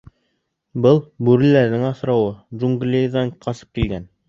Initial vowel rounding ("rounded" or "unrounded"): unrounded